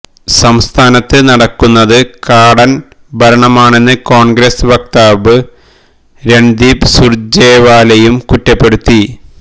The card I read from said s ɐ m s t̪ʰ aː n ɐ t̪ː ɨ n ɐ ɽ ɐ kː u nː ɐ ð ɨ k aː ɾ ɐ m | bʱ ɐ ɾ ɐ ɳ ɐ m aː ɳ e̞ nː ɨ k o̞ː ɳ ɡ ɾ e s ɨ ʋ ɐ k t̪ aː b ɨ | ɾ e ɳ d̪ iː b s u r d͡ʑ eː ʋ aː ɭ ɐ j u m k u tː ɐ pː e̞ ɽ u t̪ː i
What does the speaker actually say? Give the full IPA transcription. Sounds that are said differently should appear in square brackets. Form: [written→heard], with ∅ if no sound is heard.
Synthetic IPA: s ɐ m s t̪ʰ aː n ɐ t̪ː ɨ n ɐ ɽ ɐ kː u nː ɐ ð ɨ k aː [ɾ→ɽ] ɐ [m→n] | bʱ ɐ ɾ ɐ ɳ ɐ m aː ɳ e̞ nː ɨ k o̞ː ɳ ɡ ɾ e s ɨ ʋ ɐ k t̪ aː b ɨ | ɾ e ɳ d̪ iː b s u r d͡ʑ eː ʋ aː [ɭ→l] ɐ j u m k u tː ɐ pː e̞ ɽ u t̪ː i